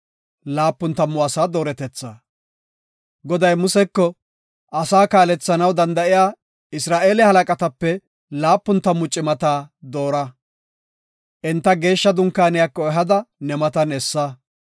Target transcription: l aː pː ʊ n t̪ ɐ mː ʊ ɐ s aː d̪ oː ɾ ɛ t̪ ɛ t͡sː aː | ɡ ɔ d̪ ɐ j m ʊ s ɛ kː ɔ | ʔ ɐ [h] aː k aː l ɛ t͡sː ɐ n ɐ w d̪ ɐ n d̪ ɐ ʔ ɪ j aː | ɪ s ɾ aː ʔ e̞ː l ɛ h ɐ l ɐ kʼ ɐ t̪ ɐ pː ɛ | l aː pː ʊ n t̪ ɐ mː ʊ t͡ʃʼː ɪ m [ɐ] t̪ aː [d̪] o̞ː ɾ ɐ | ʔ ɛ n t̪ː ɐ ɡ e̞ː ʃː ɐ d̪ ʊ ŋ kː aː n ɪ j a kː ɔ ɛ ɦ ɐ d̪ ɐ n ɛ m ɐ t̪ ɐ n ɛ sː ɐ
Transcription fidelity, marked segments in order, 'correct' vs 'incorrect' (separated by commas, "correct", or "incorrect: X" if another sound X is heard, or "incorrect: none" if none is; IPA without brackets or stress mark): incorrect: s, correct, correct